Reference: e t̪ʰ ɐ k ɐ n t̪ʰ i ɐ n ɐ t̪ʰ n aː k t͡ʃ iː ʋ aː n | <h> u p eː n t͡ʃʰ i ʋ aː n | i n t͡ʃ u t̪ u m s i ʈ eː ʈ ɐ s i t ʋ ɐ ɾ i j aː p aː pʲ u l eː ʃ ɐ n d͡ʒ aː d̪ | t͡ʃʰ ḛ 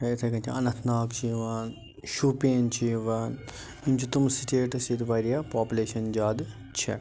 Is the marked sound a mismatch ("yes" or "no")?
yes